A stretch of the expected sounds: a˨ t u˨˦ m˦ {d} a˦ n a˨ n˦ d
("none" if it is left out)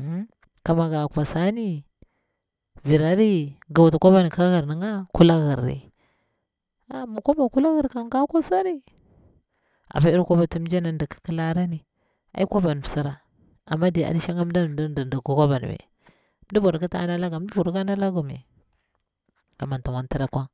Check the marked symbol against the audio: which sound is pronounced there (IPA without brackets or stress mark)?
d͡ʒ